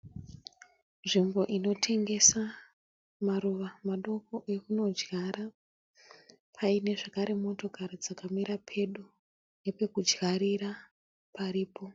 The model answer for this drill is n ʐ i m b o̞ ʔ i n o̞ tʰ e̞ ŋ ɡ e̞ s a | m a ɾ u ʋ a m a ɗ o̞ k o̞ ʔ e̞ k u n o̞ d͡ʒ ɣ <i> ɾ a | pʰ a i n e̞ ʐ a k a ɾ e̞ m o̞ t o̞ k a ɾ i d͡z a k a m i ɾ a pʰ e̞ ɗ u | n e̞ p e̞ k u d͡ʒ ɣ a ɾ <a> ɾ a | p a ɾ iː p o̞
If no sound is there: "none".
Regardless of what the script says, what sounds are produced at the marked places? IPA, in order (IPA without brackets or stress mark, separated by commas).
a, i